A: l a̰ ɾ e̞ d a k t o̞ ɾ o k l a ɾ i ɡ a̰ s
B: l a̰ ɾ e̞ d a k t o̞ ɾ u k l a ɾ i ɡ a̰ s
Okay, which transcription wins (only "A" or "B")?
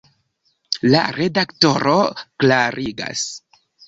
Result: A